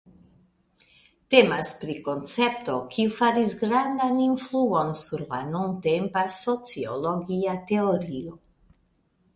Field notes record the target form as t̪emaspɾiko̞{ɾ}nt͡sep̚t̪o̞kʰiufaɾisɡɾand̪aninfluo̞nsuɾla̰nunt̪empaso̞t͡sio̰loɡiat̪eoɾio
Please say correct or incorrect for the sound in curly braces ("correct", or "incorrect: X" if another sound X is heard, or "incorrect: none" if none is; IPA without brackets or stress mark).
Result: incorrect: none